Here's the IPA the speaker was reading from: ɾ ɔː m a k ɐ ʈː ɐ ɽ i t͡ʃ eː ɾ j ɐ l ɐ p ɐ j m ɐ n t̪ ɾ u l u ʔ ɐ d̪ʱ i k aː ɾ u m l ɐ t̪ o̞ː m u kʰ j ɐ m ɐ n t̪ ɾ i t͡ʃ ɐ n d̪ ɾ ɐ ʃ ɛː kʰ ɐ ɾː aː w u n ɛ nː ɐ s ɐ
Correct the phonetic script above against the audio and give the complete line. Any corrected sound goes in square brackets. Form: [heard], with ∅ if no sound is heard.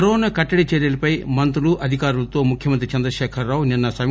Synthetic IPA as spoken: ɾ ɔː [n] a k ɐ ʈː ɐ ɽ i t͡ʃ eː ɾ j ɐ l ɐ p ɐ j m ɐ n t̪ ɾ u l u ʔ ɐ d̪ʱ i k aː ɾ u [∅] l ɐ t̪ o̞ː m u kʰ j ɐ m ɐ n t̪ ɾ i t͡ʃ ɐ n d̪ ɾ ɐ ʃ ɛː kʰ ɐ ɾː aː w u n [i] nː ɐ s ɐ